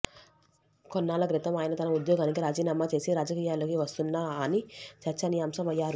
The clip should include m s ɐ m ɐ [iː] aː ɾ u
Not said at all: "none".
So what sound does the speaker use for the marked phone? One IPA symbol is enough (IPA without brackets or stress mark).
jː